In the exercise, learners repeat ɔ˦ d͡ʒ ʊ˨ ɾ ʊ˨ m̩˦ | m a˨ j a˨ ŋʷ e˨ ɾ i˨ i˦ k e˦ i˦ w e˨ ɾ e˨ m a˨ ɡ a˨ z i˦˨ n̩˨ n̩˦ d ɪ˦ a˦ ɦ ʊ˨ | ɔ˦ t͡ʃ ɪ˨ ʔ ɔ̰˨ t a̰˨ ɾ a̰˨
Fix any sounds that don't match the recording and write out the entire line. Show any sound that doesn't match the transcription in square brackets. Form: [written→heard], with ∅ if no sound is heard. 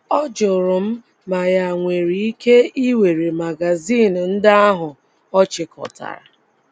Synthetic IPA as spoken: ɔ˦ d͡ʒ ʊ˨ ɾ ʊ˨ m̩˦ | m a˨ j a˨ ŋʷ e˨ ɾ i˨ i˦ k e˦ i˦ w e˨ ɾ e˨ m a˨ ɡ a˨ z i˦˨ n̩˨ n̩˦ d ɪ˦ a˦ ɦ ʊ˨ | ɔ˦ t͡ʃ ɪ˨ [ʔ→k] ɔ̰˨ t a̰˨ ɾ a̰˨

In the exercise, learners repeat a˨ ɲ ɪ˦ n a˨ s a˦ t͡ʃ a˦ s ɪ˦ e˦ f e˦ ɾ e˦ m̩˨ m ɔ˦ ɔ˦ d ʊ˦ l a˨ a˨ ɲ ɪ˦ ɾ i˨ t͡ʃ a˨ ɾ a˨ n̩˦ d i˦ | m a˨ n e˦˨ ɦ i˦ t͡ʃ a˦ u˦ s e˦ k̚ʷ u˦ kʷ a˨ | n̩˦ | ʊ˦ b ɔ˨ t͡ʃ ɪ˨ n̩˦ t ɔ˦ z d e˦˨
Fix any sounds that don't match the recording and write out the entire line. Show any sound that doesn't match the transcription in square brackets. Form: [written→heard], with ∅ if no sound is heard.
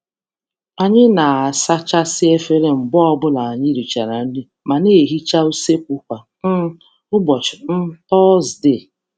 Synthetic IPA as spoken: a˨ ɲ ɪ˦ n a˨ s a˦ t͡ʃ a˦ s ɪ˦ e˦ f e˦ ɾ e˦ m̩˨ [m→b] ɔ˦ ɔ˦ [d→b] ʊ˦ l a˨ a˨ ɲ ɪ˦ ɾ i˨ t͡ʃ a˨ ɾ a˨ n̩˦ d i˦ | m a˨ n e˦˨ ɦ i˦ t͡ʃ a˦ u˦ s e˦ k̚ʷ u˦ kʷ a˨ | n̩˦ | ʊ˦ b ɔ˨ t͡ʃ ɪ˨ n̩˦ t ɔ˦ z d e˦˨

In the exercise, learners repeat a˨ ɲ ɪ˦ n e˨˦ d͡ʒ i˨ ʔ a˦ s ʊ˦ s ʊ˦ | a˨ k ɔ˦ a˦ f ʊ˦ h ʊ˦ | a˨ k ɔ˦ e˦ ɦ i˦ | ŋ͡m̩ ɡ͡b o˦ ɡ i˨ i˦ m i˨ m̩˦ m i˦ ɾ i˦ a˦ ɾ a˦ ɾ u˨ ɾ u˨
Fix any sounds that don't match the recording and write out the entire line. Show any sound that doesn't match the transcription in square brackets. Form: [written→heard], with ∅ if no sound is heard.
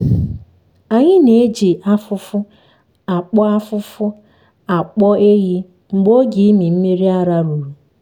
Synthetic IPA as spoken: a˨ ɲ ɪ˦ n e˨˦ d͡ʒ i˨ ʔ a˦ [s→f] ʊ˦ [s→f] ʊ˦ | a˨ [k→k͡p] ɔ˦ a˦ f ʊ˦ [h→f] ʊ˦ | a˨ [k→k͡p] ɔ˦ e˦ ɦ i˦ | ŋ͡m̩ ɡ͡b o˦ ɡ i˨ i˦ m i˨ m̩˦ m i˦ ɾ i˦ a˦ ɾ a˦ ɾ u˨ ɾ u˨

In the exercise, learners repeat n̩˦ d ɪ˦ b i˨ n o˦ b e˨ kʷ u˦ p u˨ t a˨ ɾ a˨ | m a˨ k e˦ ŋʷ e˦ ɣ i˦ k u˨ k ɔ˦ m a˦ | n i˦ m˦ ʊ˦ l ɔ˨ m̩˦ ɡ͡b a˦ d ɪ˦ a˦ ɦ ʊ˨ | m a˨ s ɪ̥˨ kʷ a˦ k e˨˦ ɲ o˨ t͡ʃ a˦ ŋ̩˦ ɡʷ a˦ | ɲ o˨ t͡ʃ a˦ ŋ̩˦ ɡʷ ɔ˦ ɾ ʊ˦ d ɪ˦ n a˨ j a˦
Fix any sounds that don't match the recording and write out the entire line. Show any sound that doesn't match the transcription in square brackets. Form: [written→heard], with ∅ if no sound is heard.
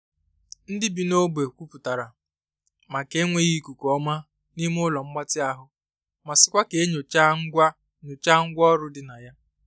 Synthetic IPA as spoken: n̩˦ d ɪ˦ b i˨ n o˦ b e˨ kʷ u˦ p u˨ t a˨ ɾ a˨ | m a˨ k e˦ ŋʷ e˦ ɣ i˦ k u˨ k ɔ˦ m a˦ | n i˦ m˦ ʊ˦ l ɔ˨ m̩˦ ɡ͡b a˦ [d→t] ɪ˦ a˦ ɦ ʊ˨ | m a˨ s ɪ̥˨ kʷ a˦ k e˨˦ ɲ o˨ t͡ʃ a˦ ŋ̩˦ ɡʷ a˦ | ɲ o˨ t͡ʃ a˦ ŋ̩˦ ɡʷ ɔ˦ ɾ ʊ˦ d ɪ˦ n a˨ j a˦

